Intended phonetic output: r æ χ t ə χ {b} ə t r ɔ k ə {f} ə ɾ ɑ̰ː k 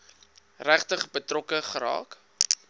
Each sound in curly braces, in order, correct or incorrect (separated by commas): correct, incorrect